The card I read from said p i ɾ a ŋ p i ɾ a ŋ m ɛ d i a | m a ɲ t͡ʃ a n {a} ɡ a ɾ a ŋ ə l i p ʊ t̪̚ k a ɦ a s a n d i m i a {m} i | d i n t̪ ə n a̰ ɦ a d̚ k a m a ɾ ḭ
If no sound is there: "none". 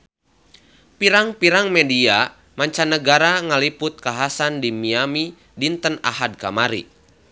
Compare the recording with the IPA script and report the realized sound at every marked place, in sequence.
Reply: ə, m

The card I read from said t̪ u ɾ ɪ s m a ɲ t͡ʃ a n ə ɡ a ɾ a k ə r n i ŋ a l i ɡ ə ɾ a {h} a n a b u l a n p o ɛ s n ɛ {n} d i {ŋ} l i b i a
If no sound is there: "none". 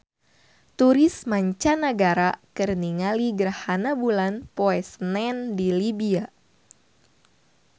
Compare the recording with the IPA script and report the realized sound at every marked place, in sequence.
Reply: h, n, none

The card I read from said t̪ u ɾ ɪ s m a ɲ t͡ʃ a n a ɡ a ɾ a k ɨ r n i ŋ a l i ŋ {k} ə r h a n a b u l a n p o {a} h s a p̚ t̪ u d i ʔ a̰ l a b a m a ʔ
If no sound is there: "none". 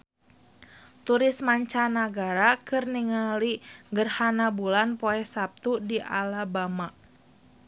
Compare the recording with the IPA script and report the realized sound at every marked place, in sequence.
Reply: ɡ, ɛ

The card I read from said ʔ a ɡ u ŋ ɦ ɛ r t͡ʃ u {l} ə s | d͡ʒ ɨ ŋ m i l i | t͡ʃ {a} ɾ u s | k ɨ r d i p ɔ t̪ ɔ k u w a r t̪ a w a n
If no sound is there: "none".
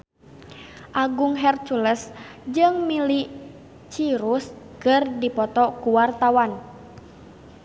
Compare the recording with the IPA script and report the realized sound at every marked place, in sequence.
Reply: l, i

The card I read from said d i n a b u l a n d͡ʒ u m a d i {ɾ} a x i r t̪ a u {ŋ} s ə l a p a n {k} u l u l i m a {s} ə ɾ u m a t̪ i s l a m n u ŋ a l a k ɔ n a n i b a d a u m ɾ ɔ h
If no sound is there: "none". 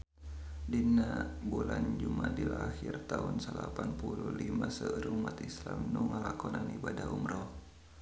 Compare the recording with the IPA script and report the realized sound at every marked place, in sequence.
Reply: l, n, p, s

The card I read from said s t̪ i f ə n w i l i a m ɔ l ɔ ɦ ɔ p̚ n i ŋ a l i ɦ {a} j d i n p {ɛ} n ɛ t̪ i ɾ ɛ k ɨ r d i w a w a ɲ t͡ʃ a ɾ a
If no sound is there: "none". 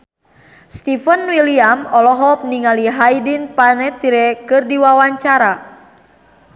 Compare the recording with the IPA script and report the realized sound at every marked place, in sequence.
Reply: a, a

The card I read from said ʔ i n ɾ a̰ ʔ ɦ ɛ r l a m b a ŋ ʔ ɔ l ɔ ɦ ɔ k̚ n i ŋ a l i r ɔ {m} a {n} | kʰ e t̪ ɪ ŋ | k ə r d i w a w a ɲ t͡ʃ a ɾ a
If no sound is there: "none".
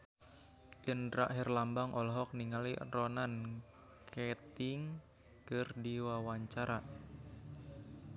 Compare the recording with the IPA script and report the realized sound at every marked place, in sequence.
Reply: n, n

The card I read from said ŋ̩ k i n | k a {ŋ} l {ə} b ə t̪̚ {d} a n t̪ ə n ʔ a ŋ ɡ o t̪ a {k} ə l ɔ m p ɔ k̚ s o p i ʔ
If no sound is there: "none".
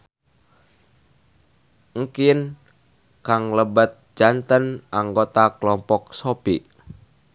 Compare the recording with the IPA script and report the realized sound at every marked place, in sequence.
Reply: ŋ, ə, d͡ʒ, k

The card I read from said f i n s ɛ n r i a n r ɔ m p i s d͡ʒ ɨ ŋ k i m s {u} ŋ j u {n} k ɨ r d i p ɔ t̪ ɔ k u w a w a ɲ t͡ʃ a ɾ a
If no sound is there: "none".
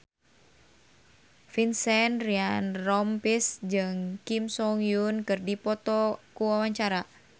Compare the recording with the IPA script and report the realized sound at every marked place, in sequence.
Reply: ɔ, n

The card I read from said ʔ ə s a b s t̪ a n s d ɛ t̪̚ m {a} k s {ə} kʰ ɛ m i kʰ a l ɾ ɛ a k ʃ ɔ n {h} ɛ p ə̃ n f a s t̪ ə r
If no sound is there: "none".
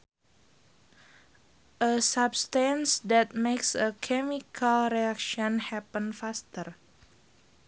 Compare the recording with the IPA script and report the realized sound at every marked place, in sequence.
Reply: e, ə, h

